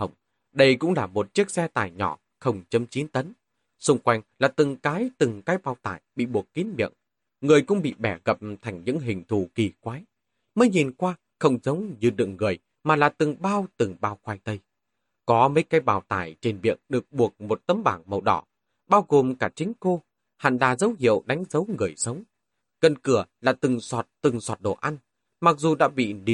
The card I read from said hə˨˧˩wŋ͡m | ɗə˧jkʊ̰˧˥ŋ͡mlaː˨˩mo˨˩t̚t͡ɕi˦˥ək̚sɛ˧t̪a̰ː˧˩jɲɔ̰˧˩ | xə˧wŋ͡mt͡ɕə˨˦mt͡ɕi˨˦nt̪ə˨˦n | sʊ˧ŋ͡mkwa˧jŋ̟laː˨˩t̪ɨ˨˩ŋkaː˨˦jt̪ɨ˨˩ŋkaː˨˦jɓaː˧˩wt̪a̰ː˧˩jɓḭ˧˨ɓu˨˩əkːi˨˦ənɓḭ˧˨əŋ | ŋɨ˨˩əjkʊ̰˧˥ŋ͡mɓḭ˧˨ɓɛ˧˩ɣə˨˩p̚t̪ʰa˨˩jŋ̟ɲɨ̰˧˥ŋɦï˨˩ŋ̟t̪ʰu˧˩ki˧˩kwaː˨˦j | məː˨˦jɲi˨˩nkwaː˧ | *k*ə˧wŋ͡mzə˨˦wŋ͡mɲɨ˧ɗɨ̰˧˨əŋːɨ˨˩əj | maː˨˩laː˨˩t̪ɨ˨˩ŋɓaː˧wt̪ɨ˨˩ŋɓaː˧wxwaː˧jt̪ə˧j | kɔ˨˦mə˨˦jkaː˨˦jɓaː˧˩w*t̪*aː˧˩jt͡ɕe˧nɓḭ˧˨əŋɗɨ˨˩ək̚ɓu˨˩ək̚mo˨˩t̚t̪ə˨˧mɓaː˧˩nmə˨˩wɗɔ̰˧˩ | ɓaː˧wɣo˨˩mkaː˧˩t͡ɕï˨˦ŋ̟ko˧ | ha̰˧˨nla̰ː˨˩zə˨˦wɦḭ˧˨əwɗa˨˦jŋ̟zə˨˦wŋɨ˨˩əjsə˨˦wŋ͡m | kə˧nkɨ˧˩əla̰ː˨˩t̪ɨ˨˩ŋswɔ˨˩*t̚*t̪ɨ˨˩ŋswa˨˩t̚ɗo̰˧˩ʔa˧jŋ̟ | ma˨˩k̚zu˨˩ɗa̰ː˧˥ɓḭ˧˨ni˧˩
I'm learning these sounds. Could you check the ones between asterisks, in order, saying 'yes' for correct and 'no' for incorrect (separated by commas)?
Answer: no, yes, yes